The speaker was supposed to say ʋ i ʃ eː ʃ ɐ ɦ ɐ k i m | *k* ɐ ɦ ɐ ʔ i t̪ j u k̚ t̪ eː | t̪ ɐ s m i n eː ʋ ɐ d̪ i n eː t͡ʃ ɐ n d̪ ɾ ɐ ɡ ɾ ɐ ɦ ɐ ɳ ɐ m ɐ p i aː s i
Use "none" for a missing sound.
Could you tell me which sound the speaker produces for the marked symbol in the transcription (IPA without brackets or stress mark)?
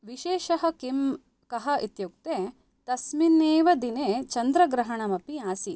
k